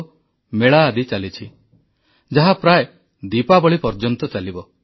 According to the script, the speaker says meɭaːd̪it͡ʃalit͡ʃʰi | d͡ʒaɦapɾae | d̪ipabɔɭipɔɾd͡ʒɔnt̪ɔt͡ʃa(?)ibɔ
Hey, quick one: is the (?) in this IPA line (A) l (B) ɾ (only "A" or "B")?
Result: A